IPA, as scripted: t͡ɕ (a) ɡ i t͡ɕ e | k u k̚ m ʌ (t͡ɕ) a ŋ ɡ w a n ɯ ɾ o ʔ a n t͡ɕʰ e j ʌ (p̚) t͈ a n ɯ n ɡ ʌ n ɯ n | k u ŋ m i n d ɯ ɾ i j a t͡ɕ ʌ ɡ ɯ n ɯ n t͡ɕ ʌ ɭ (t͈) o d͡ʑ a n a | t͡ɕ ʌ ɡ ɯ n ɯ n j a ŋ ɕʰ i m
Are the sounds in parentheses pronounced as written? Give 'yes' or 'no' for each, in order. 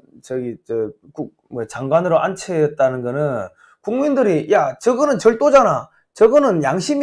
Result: no, yes, no, yes

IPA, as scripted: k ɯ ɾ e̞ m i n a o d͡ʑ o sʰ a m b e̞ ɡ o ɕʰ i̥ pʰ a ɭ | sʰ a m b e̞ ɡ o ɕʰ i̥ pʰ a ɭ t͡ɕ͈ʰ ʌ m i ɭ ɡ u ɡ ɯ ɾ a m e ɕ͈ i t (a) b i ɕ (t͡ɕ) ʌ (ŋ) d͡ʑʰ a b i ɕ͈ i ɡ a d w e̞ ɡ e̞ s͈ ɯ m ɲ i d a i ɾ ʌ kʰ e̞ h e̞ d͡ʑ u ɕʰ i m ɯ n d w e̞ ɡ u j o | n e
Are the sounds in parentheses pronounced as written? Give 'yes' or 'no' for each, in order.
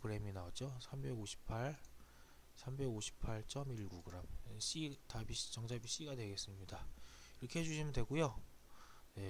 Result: yes, yes, yes

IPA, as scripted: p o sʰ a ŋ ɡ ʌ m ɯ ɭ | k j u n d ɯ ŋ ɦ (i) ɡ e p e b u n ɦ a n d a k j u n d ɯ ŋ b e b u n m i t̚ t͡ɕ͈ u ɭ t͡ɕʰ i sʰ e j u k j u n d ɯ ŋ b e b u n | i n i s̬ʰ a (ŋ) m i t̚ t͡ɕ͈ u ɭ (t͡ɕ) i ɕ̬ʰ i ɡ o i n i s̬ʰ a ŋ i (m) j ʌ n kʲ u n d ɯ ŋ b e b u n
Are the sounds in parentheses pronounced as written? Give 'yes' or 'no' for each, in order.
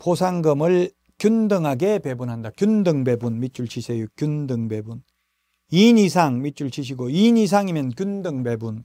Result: no, yes, no, yes

